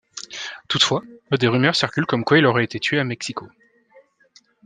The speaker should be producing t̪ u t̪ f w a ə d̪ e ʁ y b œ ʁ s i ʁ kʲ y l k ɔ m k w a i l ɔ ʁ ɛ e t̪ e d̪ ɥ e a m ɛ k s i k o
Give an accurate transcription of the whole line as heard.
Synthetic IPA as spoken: t̪ u t̪ f w a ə d̪ e ʁ y m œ ʁ s i ʁ kʲ y l k ɔ m k w a i l ɔ ʁ ɛ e t̪ e t̪ ɥ e a m ɛ k s i k o